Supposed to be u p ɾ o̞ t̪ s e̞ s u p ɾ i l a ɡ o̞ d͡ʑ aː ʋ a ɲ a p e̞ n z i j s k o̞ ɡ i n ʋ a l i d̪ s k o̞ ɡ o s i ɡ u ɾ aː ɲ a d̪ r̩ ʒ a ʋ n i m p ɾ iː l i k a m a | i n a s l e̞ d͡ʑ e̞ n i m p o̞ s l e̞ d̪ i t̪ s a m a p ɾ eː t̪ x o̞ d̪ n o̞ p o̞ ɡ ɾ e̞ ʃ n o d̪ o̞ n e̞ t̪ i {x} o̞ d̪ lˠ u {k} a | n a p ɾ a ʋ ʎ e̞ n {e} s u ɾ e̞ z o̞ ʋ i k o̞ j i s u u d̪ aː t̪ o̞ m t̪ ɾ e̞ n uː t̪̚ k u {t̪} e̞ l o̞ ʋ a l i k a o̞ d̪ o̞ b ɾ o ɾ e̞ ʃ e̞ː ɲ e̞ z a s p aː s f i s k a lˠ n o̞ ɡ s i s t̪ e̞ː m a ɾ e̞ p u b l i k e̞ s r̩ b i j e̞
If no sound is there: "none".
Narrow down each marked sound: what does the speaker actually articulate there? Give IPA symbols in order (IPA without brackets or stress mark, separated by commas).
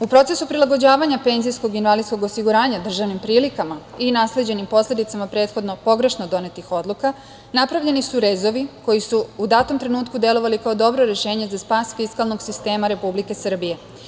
x, k, i, d̪